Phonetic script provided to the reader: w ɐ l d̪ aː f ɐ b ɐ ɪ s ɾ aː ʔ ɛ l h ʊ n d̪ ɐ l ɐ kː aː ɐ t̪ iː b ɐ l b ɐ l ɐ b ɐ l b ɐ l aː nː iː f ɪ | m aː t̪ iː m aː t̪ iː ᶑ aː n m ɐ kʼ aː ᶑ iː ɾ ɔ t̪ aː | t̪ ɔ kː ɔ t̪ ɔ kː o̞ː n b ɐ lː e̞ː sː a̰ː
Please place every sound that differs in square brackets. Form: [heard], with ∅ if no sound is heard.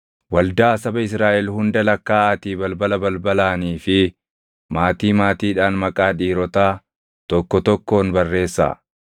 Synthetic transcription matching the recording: w ɐ l d̪ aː [s] ɐ b ɐ ɪ s ɾ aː ʔ ɛ l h ʊ n d̪ ɐ l ɐ kː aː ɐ t̪ iː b ɐ l b ɐ l ɐ b ɐ l b ɐ l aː [n] iː f ɪ | m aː t̪ iː m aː t̪ iː ᶑ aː n m ɐ kʼ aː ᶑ iː ɾ ɔ t̪ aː | t̪ ɔ kː ɔ t̪ ɔ kː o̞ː n b ɐ [rː] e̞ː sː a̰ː